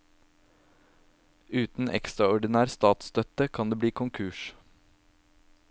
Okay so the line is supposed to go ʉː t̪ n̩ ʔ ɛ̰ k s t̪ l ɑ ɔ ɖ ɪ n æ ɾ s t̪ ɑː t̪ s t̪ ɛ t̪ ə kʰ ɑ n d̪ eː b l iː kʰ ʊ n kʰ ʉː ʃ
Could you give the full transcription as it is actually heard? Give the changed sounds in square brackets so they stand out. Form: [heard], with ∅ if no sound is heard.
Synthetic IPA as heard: ʉː t̪ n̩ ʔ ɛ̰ k s t̪ [ɾ] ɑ ɔ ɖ ɪ n [æː] ɾ s t̪ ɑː t̪ s t̪ [œ] t̪ ə kʰ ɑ n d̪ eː b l iː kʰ ʊ [ŋ] kʰ ʉː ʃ

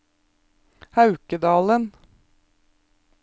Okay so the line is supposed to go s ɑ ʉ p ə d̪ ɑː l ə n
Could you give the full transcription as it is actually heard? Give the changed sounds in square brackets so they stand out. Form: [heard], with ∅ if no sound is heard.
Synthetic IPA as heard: [h] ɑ ʉ [k] ə d̪ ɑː l ə n

